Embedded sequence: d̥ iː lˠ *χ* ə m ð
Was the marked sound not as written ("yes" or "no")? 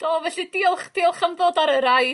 no